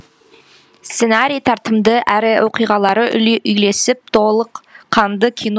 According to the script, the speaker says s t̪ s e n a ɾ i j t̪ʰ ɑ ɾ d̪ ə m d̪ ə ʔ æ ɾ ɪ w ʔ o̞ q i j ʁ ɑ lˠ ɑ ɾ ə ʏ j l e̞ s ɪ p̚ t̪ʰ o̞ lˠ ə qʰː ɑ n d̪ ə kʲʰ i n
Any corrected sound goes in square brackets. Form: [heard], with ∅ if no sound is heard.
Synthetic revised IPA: s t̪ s e n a ɾ i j t̪ʰ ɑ ɾ [t̪] ə m d̪ ə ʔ æ ɾ ɪ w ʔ o̞ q i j ʁ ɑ lˠ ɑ ɾ ə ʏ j l e̞ s ɪ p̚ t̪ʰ o̞ lˠ ə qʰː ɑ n d̪ ə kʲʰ i n